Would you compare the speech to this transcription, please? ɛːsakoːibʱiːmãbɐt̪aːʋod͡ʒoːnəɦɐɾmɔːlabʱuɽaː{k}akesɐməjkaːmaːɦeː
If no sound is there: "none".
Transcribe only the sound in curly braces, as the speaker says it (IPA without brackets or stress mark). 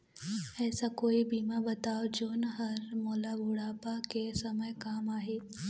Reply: p